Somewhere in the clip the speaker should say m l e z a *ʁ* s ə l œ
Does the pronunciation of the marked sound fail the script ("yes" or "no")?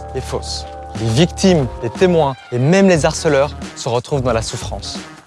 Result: no